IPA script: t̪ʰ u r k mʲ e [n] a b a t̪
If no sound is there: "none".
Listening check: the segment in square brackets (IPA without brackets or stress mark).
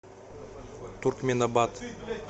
n